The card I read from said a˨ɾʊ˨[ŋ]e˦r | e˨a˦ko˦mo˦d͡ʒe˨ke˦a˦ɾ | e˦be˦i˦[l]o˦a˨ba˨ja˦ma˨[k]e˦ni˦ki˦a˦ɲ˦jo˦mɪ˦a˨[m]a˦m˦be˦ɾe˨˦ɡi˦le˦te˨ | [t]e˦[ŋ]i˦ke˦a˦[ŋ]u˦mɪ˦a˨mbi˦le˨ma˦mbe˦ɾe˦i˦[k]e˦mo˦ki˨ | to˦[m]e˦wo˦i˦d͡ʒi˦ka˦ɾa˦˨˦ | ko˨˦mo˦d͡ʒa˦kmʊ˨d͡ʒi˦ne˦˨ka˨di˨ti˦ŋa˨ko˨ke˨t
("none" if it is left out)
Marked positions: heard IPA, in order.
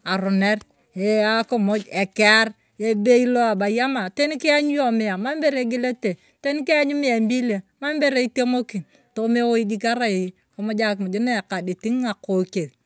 n, l, t, m, t, n, ɲ, t, m

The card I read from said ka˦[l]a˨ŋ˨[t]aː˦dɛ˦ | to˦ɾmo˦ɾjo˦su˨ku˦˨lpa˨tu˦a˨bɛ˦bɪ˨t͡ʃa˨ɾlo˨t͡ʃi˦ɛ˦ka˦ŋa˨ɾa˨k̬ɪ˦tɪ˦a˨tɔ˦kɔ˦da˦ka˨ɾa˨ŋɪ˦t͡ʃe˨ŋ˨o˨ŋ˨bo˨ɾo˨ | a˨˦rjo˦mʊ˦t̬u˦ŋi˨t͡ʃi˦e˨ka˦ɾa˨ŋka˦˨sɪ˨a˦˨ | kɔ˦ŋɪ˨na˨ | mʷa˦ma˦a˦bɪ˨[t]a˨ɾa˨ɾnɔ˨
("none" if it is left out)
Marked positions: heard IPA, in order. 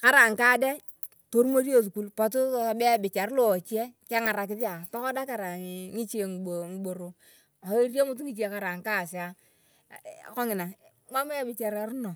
ɾ, k, t͡ʃ

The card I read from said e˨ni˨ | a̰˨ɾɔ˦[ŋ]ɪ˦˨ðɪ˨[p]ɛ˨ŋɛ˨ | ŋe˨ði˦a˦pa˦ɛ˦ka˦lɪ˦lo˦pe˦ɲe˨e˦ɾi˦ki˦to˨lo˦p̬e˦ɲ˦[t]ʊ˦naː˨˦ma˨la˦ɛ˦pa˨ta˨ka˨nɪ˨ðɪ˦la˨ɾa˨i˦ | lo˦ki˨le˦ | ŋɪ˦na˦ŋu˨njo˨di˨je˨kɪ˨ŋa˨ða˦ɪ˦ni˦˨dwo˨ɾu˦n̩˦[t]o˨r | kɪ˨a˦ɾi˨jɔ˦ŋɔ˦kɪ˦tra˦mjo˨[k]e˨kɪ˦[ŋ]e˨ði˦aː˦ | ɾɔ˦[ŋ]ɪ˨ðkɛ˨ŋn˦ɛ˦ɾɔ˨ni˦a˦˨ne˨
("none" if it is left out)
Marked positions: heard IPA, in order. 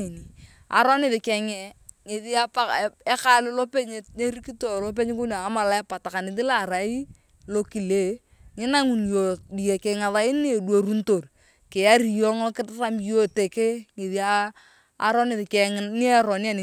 n, k, k, t, t, ŋ, n

